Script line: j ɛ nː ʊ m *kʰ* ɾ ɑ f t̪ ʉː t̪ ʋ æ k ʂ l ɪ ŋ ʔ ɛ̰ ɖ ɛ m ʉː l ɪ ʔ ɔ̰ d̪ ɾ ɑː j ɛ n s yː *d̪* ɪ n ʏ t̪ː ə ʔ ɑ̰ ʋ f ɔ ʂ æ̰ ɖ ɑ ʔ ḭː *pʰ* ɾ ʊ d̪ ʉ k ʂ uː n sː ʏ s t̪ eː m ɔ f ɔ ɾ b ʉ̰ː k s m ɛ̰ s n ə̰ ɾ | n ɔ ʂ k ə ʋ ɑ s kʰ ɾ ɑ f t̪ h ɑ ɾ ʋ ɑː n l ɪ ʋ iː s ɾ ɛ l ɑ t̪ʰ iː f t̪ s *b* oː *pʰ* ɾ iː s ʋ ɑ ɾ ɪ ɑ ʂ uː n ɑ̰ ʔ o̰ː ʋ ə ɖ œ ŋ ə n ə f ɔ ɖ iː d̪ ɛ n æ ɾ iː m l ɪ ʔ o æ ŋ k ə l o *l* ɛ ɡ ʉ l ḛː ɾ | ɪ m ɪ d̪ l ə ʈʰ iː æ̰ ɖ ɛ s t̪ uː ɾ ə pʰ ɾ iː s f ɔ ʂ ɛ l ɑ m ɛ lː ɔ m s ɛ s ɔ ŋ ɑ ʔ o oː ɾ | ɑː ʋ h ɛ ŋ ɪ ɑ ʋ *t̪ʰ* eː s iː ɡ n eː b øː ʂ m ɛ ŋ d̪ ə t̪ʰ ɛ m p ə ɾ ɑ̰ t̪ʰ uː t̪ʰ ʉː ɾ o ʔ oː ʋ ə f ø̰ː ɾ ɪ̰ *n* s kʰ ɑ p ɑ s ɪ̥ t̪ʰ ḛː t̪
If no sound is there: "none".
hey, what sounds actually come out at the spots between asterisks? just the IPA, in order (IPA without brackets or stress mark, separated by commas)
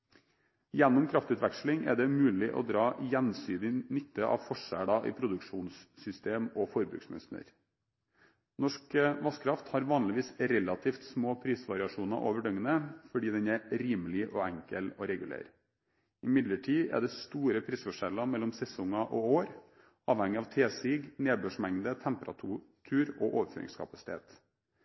kʰ, d̪, pʰ, m, pʰ, ɾ, t̪ʰ, ŋ